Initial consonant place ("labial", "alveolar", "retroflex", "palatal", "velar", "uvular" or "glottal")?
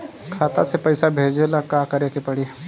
velar